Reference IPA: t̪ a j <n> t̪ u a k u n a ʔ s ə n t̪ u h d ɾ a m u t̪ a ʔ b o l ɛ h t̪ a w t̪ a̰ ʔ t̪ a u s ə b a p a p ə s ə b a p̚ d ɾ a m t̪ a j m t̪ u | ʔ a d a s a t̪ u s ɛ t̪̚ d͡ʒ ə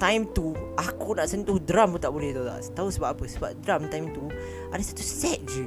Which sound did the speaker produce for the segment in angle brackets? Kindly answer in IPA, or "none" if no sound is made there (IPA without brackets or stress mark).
m